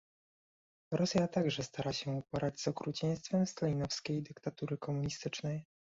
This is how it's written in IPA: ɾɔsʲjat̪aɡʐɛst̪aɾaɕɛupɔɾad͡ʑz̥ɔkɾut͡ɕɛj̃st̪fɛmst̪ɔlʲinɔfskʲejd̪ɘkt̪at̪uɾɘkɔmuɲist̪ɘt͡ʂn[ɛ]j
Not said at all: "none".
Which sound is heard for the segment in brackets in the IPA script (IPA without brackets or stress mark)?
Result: ɛ